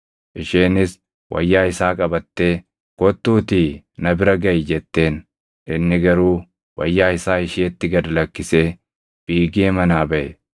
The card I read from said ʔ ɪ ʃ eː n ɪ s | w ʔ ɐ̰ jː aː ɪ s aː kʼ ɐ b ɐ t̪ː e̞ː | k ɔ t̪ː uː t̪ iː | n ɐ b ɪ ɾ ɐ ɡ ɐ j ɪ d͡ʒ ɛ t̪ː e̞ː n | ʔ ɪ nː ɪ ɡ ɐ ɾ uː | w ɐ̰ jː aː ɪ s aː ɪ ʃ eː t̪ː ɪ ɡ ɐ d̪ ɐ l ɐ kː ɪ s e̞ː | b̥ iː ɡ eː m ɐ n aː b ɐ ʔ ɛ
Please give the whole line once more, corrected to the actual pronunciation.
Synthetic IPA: ʔ ɪ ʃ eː n ɪ s | w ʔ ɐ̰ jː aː ɪ s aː kʼ ɐ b ɐ t̪ː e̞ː | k ɔ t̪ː uː t̪ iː | n ɐ b ɪ ɾ ɐ ɡ ɐ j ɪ d͡ʒ ɛ t̪ː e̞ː n | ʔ ɪ nː ɪ ɡ ɐ ɾ uː | w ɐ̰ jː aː ɪ s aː ɪ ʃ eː t̪ː ɪ ɡ ɐ d̪ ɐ l ɐ kː ɪ s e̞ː | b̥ iː ɡ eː m ɐ n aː b ɐ ʔ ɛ